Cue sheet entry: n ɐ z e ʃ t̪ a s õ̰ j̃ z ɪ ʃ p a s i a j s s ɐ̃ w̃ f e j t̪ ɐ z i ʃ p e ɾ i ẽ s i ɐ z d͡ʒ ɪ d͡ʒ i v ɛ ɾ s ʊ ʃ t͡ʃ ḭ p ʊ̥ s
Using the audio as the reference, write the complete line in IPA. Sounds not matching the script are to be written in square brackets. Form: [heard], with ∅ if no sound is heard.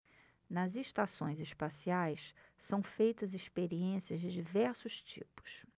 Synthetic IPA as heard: n ɐ z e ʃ t̪ a s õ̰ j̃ z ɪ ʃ p a s i a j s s ɐ̃ w̃ f e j t̪ ɐ z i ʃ p e ɾ i ẽ s i ɐ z d͡ʒ ɪ d͡ʒ i v ɛ ɾ s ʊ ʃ t͡ʃ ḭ p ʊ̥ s